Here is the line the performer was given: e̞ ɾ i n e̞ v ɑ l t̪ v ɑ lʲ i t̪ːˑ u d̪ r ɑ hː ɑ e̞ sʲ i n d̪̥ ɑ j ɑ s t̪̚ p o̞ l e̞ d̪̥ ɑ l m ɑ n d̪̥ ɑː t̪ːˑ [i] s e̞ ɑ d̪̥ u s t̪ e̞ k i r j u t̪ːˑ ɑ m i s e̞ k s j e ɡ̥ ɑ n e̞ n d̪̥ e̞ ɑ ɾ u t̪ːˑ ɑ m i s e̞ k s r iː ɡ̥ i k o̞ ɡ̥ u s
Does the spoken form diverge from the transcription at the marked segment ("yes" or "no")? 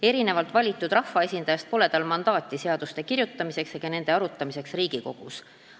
no